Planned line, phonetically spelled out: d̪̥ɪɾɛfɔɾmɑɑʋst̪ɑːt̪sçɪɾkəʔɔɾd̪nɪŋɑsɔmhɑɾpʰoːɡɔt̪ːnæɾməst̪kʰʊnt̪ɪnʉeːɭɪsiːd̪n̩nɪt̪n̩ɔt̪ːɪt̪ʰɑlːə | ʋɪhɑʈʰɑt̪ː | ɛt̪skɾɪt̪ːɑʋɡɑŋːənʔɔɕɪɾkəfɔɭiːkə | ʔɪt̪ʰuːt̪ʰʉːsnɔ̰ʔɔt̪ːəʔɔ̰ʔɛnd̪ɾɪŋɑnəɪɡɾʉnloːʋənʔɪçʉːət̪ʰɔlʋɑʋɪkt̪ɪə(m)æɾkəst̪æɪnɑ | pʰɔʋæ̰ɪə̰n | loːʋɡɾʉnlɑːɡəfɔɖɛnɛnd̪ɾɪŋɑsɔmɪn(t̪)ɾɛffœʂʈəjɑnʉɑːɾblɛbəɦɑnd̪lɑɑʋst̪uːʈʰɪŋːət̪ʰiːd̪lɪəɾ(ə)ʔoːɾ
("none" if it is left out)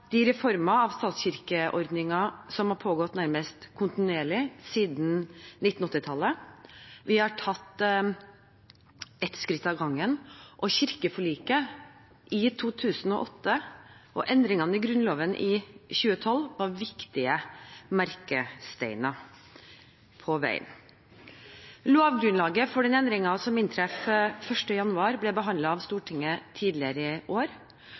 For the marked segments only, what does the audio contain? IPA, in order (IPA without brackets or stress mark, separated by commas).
m, t̪ʰ, ə